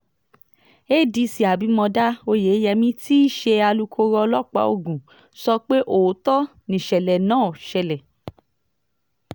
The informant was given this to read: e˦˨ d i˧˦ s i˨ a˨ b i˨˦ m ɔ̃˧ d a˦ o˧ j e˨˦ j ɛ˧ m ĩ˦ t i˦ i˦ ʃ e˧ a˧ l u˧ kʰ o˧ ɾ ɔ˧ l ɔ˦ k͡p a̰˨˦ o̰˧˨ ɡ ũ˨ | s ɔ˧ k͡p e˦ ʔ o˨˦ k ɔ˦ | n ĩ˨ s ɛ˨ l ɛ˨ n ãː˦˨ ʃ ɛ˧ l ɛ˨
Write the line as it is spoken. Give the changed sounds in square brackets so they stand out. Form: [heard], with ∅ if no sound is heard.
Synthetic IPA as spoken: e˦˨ d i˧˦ s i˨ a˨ b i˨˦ m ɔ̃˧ d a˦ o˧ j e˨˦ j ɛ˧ m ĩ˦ t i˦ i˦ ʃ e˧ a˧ l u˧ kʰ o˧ ɾ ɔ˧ l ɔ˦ k͡p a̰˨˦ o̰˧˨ ɡ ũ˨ | s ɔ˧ k͡p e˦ ʔ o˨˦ [t] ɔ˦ | n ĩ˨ [ʃ] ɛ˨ l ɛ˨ n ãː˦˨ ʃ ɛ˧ l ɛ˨